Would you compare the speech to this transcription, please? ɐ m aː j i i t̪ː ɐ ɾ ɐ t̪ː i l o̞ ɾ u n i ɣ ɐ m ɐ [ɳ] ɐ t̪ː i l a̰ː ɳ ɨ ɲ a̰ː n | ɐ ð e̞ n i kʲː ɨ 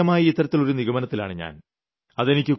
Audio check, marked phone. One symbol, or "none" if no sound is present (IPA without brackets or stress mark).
n